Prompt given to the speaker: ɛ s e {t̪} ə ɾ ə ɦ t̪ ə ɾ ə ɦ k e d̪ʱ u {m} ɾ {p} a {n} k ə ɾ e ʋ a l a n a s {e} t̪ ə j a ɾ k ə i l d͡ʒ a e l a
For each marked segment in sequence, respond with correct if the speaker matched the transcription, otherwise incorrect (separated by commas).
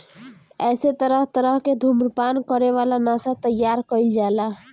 correct, correct, correct, correct, incorrect